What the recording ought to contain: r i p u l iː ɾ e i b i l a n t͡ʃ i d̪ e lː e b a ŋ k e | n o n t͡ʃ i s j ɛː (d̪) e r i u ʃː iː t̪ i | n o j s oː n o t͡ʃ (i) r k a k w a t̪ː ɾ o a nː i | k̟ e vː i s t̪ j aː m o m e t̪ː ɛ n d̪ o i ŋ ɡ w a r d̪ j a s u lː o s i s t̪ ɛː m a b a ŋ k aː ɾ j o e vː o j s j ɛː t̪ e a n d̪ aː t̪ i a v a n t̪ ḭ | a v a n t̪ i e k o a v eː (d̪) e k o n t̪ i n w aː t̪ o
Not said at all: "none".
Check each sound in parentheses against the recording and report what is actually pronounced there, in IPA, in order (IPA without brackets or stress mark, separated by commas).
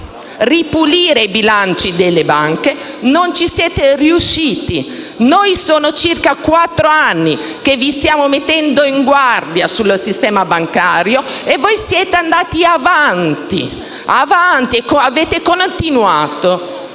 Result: t̪, i, t̪